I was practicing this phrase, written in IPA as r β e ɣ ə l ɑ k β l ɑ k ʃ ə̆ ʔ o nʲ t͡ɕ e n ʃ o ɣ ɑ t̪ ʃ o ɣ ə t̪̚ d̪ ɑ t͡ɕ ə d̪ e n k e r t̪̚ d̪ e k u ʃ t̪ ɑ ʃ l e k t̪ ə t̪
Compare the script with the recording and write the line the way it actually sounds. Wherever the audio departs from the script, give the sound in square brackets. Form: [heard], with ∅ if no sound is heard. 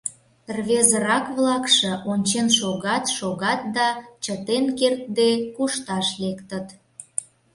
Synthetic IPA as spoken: r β e [z] ə [ɾ] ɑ k β l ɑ k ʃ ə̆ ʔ o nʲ t͡ɕ e n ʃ o ɣ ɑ t̪ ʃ o ɣ [ɑ] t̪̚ d̪ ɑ t͡ɕ ə [t̪] e n k e r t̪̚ d̪ e k u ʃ t̪ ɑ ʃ l e k t̪ ə t̪